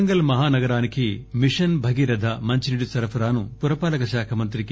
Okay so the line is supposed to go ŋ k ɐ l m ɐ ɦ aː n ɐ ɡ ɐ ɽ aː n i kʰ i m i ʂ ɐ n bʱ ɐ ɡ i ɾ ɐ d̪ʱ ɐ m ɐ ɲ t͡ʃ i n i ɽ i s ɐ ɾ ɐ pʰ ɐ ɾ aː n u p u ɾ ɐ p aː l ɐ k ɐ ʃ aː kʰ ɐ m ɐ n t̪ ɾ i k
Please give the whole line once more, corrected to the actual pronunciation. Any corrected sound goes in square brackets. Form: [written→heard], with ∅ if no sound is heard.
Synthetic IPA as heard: ŋ [k→ɡ] ɐ l m ɐ ɦ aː n ɐ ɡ ɐ [ɽ→ɾ] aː n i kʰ i m i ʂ ɐ n bʱ ɐ ɡ i ɾ ɐ d̪ʱ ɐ m ɐ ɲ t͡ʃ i n i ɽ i s ɐ ɾ ɐ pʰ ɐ ɾ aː n u p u ɾ ɐ p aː l ɐ k ɐ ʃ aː kʰ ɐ m ɐ n t̪ ɾ i k